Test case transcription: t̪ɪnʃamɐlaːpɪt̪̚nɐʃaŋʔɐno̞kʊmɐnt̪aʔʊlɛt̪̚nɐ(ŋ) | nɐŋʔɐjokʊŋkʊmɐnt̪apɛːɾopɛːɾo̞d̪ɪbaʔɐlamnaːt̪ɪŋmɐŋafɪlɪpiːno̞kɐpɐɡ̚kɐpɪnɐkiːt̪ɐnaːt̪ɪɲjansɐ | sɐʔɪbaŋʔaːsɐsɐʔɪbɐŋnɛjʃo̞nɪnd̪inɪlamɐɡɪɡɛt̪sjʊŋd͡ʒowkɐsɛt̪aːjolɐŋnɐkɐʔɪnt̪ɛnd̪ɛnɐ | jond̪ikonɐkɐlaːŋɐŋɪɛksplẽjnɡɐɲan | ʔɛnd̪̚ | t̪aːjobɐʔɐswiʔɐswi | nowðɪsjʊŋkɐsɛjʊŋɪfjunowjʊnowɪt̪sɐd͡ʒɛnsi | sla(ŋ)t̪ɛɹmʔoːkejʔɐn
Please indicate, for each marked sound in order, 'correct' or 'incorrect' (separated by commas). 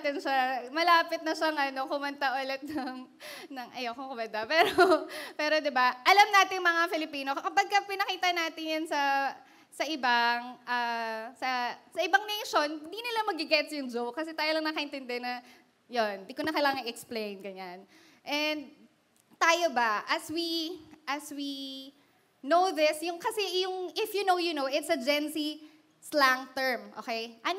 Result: correct, correct